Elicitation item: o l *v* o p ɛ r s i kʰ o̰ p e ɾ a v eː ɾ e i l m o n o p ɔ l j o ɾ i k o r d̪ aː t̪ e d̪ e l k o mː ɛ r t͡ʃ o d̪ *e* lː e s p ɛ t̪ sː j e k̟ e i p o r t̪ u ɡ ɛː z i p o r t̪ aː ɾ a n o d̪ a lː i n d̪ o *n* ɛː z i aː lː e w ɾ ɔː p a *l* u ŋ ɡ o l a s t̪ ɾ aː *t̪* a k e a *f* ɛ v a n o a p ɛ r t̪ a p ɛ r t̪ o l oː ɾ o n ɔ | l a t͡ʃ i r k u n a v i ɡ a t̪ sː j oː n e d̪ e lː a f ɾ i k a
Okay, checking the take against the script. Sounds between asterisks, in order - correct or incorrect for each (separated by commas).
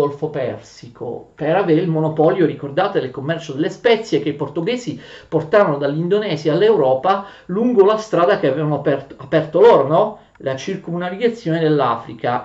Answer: incorrect, correct, correct, correct, incorrect, incorrect